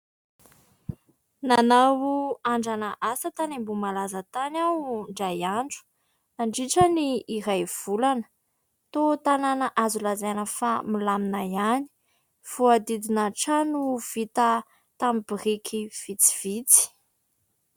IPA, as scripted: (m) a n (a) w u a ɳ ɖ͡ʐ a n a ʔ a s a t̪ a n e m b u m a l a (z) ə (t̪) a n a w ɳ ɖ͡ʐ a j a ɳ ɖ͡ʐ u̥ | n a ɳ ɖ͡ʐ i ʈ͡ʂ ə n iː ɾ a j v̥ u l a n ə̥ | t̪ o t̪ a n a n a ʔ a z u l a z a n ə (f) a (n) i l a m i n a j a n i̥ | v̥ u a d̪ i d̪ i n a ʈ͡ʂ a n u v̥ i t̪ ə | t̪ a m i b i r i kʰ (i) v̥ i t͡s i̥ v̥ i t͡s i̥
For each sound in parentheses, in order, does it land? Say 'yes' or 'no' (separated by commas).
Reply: no, yes, yes, yes, yes, no, yes